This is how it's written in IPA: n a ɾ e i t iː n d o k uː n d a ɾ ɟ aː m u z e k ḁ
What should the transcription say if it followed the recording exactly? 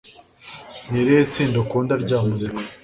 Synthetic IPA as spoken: n i ɾ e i t͡s iː n d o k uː n d a ɾ ɟ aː m u z i k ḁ

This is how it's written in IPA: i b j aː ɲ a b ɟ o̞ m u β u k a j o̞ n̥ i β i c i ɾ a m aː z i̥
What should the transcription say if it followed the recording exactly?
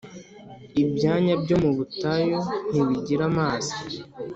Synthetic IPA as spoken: i b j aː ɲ a b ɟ o̞ m u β u t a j o̞ n̥ i β i ɟ i ɾ a m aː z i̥

